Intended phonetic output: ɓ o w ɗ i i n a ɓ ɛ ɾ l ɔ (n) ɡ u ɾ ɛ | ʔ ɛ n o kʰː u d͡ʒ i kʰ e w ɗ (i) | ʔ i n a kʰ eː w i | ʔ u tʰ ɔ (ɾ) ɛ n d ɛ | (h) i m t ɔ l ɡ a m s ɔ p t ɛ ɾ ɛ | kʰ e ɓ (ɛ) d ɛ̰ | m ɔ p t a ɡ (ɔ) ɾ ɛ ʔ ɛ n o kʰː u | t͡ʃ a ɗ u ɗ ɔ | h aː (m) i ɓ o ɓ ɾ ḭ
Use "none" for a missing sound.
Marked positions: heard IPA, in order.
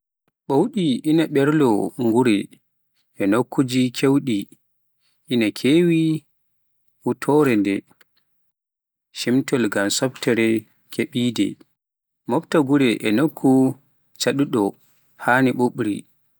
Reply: ŋ, i, ɾ, ʃ, i, u, n

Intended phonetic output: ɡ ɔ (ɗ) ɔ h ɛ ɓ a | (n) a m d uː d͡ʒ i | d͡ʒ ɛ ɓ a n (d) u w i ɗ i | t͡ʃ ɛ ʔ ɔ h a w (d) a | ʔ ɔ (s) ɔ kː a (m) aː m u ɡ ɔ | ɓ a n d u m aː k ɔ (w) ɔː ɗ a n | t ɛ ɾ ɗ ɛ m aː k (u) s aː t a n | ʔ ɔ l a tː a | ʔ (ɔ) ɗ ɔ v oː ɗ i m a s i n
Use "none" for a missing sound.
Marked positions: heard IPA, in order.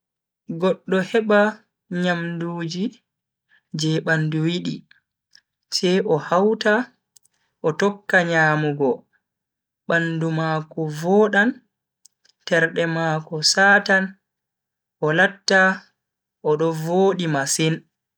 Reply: ɗː, ɲ, d, t, t, ɲ, v, ɔ, ɔ

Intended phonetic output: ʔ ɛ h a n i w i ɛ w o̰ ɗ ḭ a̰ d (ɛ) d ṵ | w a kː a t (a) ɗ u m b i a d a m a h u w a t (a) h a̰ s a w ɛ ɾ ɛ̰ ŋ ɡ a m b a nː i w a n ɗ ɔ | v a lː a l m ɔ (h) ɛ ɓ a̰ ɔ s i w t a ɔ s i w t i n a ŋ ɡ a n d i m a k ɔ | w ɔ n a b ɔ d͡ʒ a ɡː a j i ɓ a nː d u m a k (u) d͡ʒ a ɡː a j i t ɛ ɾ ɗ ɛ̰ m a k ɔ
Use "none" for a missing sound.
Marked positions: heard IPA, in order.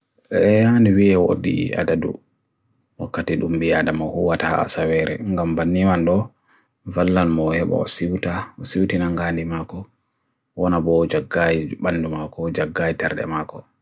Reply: a, i, a, h, ɔ

